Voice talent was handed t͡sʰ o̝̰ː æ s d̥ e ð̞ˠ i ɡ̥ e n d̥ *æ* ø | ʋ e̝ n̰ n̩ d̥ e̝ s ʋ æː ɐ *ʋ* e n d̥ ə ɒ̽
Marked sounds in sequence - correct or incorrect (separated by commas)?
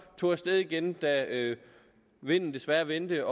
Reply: correct, correct